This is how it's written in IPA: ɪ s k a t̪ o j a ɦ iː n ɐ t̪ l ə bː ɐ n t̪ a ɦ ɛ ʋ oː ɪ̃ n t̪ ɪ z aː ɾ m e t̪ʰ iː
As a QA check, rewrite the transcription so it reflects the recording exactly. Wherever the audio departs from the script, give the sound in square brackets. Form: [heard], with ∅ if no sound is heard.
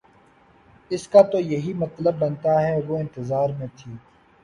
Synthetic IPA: ɪ s k a t̪ o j [ɐ] ɦ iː [m] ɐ t̪ l ə bː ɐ n t̪ a ɦ ɛ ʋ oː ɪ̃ n t̪ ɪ z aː ɾ m [ẽ] t̪ʰ iː